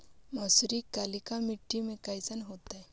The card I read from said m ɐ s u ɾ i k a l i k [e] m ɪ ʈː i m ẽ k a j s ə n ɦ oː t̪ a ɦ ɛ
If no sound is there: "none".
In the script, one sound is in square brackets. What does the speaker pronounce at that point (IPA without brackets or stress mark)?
a